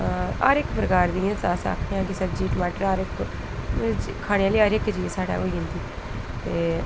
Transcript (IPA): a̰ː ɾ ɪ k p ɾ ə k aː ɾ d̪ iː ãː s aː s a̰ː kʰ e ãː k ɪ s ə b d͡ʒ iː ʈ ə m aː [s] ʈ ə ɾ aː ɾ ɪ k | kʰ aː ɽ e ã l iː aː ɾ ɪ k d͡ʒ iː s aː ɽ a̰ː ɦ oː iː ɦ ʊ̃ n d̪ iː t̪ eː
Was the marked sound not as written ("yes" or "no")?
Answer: yes